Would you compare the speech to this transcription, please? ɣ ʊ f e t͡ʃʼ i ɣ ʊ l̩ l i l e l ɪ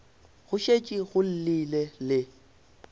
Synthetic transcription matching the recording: ɣ ʊ ʃ e t͡ʃʼ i ɣ ʊ l̩ l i l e l ɪ